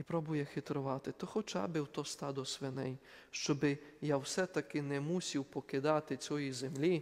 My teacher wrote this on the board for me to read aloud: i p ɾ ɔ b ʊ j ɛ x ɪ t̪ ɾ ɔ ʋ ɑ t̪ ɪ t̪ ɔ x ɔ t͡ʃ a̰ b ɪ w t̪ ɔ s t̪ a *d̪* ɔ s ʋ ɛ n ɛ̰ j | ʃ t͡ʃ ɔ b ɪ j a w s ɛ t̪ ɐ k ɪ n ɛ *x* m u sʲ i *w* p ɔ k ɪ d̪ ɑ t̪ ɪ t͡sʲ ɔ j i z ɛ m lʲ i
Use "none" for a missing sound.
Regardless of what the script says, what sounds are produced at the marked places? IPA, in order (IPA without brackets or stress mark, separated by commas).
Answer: d̪, none, w